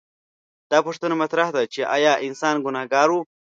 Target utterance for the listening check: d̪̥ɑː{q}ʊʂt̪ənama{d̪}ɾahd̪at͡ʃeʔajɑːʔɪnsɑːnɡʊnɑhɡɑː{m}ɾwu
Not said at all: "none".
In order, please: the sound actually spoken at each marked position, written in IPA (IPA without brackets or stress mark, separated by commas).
p, t̪, none